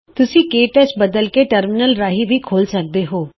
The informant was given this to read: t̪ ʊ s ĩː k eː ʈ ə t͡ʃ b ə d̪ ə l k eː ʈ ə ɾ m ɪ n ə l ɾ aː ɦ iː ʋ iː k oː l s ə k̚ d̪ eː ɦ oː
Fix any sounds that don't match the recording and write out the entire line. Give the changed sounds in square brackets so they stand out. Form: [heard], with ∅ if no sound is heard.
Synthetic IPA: t̪ ʊ s ĩː k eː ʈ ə t͡ʃ b ə d̪ ə l k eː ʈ ə ɾ m ɪ n ə l ɾ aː ɦ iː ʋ iː [kʰ] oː l s ə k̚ d̪ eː ɦ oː